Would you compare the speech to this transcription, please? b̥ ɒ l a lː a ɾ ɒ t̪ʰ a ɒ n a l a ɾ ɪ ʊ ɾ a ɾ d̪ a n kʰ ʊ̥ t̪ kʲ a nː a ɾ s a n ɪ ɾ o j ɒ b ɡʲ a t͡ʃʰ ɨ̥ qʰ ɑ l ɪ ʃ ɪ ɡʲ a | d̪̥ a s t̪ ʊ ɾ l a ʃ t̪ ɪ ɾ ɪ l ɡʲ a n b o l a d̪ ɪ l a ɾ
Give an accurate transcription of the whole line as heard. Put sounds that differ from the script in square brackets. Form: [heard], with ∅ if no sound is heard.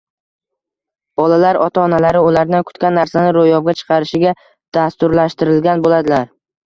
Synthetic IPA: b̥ ɒ l a [l] a ɾ ɒ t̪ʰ a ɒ n a l a ɾ ɪ ʊ [l] a ɾ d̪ a n kʰ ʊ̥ t̪ kʲ a nː a ɾ s a n ɪ ɾ o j ɒ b ɡʲ a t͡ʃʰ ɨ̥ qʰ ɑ [ɾ] ɪ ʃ ɪ ɡʲ a | d̪̥ a s t̪ ʊ ɾ l a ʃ t̪ ɪ ɾ ɪ l ɡʲ a n b o l a d̪ ɪ l a ɾ